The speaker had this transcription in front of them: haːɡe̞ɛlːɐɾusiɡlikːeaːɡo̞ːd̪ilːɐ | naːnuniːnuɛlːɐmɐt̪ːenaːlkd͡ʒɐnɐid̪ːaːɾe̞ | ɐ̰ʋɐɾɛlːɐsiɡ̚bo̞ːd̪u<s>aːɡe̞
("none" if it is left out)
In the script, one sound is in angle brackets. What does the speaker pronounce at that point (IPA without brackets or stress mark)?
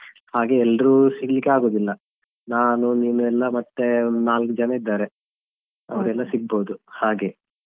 h